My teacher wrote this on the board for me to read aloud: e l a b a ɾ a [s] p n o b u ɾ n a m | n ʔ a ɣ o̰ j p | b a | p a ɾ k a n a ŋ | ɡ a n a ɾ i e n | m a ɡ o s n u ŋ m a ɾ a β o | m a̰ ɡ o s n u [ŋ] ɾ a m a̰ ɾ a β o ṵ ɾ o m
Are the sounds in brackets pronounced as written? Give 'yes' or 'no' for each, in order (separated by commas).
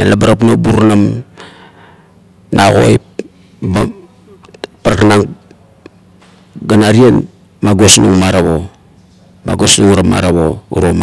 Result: no, yes